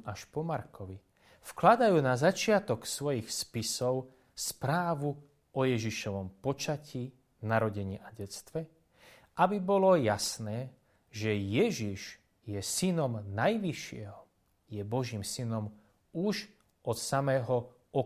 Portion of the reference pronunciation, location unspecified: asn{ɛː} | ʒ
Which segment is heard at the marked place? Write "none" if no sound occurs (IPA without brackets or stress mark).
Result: ɛː